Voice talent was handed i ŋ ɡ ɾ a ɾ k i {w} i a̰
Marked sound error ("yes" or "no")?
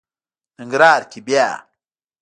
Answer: yes